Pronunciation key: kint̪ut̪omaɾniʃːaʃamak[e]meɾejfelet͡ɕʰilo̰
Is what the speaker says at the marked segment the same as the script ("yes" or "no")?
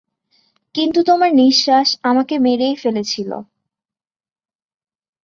yes